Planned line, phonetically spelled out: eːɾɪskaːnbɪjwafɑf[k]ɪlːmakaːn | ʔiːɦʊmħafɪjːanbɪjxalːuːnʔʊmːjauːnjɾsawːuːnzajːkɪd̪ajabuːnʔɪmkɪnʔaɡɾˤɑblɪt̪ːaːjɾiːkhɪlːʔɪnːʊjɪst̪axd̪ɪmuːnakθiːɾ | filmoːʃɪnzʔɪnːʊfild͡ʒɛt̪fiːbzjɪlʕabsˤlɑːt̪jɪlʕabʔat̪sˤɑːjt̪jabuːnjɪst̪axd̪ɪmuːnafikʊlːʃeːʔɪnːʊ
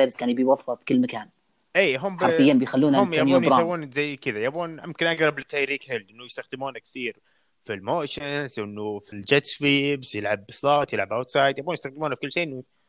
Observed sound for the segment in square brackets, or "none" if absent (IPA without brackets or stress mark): k